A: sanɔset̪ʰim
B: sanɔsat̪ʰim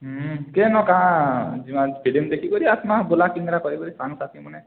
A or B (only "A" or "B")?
B